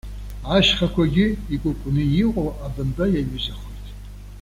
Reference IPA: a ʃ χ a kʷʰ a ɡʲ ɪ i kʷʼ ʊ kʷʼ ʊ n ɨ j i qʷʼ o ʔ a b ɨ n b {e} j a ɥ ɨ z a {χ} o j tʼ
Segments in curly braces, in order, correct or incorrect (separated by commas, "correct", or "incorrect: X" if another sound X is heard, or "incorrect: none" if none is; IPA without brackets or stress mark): incorrect: a, correct